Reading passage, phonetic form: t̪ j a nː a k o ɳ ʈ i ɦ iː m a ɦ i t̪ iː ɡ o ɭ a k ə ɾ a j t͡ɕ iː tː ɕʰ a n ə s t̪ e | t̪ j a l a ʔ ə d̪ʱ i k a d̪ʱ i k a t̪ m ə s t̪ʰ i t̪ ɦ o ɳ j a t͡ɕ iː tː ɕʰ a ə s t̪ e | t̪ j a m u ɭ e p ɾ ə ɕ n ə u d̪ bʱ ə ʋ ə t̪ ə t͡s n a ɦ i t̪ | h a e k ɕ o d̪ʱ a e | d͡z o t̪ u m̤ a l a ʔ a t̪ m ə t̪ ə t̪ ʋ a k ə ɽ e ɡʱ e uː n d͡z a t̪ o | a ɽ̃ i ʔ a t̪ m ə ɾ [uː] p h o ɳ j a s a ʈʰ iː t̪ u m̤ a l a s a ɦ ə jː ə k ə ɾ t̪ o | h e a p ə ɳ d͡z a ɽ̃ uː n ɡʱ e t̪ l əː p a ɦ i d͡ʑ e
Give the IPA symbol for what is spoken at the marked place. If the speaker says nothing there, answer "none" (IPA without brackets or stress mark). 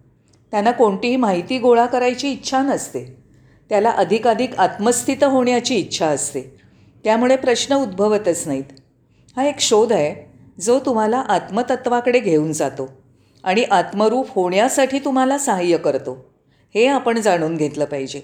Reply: uː